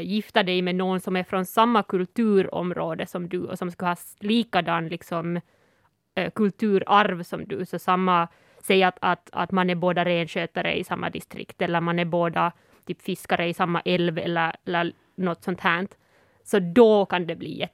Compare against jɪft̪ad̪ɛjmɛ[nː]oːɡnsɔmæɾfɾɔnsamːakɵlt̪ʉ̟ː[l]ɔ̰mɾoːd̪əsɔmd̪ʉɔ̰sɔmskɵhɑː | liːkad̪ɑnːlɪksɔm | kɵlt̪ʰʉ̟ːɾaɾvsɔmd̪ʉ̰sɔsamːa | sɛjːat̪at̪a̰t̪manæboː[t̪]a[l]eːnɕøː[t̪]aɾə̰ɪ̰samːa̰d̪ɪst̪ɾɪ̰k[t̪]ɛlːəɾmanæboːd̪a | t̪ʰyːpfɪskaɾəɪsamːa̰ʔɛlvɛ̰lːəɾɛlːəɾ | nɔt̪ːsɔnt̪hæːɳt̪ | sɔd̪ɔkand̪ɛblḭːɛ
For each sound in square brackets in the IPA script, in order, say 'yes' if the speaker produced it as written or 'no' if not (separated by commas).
no, no, no, no, yes, yes